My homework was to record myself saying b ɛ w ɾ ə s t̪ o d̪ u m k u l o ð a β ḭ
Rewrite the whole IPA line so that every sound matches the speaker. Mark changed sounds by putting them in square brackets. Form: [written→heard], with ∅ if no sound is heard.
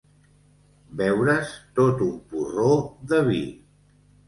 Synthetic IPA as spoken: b ɛ w ɾ ə s t̪ o [d̪→t̪] u m [k→p] u [l→r] o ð [a→ə] β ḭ